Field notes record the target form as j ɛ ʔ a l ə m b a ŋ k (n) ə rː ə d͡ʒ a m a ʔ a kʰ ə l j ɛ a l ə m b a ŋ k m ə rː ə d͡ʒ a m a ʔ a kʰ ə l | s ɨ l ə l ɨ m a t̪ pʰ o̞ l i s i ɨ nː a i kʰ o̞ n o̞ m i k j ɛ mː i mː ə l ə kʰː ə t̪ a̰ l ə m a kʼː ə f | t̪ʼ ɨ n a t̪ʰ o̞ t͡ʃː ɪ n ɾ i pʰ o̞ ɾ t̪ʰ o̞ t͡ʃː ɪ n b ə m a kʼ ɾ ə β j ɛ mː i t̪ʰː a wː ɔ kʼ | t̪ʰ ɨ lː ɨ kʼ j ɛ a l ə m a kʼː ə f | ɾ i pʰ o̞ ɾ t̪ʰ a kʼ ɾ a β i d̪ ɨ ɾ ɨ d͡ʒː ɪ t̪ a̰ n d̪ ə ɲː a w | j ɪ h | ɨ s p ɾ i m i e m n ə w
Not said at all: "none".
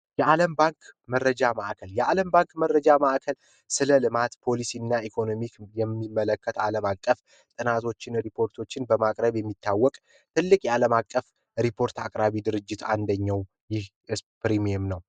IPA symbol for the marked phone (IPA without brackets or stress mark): m